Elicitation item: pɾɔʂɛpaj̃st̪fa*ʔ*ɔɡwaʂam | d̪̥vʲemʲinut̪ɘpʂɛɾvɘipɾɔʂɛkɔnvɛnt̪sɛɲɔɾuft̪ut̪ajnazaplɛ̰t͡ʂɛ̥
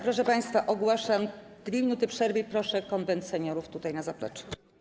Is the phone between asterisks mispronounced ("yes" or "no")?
no